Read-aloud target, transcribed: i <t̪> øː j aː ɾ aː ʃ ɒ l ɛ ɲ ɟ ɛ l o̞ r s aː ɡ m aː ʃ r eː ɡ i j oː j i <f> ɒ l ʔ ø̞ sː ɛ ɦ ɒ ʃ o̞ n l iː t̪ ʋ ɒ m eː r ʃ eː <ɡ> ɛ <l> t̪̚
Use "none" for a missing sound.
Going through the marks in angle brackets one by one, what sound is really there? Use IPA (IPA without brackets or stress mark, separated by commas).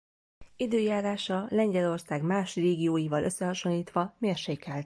d̪, v, k, l